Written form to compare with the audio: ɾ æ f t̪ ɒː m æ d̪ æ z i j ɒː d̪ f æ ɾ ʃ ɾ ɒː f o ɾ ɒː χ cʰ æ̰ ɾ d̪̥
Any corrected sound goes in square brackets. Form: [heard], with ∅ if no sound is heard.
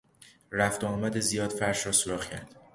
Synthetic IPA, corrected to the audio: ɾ æ f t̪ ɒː m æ d̪ [e] z i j ɒː d̪ f æ ɾ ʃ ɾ ɒː [s] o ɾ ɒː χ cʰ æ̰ ɾ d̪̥